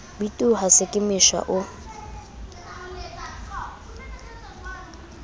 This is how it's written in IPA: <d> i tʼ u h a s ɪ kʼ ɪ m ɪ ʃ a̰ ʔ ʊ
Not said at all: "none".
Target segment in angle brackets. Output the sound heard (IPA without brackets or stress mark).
b